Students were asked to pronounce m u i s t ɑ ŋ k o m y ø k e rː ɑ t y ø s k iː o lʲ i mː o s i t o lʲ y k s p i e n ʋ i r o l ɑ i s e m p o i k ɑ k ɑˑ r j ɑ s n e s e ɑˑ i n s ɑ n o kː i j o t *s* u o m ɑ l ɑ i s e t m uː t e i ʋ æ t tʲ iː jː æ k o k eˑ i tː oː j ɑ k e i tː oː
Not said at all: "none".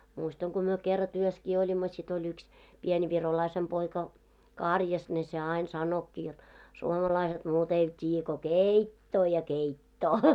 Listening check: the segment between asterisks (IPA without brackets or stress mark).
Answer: s